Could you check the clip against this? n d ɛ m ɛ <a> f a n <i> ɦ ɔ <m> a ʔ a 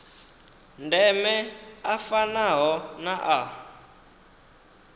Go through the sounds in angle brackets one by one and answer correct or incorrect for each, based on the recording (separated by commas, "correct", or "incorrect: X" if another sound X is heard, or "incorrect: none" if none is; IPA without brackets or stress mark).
correct, incorrect: a, incorrect: n